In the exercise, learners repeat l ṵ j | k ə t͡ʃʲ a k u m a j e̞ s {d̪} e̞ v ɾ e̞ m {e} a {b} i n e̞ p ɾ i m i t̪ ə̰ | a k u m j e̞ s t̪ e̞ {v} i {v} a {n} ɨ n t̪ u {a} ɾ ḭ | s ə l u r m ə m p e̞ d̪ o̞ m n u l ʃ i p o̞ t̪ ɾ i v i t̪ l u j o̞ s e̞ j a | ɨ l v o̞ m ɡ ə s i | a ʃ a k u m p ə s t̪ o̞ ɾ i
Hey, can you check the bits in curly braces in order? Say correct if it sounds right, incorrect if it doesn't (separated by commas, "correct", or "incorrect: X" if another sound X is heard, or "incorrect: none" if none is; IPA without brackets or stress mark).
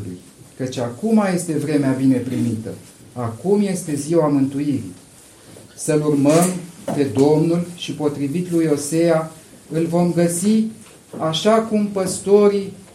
incorrect: t̪, correct, correct, incorrect: z, incorrect: w, incorrect: m, incorrect: i